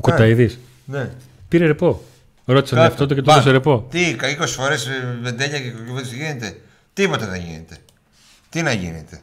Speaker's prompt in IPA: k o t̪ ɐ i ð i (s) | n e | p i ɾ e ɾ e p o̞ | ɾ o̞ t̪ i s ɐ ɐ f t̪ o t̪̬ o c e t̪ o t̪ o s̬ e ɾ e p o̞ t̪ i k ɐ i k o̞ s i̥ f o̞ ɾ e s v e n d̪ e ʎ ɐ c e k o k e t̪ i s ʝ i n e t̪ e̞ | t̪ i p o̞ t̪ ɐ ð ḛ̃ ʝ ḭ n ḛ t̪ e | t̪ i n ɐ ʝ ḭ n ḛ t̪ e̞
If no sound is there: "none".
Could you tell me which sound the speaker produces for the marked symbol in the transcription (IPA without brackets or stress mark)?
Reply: s